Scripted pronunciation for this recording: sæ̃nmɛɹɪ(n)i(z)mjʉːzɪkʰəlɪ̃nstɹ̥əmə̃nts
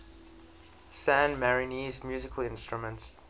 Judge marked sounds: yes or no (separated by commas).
yes, yes